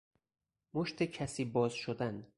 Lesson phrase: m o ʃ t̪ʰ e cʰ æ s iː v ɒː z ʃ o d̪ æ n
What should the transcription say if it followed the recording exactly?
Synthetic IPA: m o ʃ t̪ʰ e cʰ æ s iː b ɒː z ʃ o d̪ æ n